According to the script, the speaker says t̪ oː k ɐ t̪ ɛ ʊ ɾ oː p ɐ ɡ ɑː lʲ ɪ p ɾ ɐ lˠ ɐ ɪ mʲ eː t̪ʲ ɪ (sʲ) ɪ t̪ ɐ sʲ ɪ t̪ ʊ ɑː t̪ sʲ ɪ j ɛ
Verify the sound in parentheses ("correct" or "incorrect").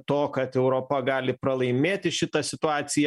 incorrect